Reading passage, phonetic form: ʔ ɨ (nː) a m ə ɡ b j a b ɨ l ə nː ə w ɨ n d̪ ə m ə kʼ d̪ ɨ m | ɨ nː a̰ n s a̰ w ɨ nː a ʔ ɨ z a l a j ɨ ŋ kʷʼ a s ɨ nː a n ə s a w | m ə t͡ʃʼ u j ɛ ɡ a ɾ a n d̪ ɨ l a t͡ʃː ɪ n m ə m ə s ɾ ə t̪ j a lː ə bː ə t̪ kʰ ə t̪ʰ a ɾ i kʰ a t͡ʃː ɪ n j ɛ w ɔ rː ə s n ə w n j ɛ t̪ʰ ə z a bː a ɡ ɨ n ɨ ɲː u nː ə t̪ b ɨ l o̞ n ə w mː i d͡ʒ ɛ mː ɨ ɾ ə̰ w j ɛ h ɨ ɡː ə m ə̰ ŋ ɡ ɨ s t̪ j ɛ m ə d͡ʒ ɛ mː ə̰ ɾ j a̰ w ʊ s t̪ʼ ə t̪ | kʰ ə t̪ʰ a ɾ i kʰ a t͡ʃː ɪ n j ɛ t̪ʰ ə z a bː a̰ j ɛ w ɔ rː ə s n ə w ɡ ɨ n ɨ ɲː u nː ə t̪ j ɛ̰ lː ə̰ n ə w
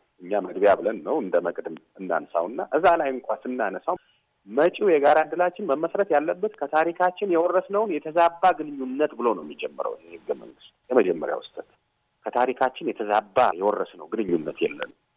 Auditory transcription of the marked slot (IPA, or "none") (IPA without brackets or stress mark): ɲː